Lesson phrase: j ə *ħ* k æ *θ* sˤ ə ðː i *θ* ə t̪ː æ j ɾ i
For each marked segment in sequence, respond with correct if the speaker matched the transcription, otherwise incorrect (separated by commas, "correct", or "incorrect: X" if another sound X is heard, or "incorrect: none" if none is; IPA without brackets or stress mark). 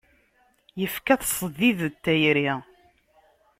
incorrect: f, correct, incorrect: ð